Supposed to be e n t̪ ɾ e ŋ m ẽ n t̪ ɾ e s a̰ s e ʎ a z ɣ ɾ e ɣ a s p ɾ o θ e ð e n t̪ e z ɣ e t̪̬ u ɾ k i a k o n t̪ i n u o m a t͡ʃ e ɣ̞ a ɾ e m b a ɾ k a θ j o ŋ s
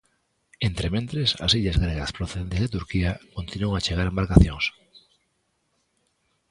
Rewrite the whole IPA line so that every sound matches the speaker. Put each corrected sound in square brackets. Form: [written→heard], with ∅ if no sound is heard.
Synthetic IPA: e n t̪ ɾ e [ŋ→∅] m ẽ n t̪ ɾ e s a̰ s [e→i] ʎ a z ɣ ɾ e ɣ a s p ɾ o θ e ð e n t̪ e z [ɣ→ð] e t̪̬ u ɾ k i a k o n t̪ i n u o [m→ŋ] a t͡ʃ e ɣ̞ a ɾ e m b a ɾ k a θ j o ŋ s